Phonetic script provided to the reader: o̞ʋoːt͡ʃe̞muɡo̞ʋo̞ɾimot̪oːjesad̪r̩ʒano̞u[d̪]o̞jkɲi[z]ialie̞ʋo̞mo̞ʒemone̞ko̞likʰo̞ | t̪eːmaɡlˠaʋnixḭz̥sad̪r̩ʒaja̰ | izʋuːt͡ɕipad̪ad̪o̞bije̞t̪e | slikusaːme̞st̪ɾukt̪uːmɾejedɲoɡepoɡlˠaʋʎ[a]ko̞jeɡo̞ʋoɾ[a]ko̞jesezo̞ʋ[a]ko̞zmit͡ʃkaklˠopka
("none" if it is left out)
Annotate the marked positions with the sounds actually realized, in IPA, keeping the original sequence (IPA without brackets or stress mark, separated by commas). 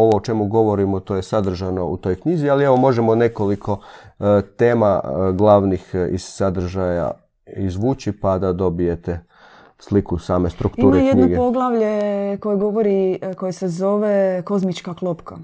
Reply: t̪, z, e, i, e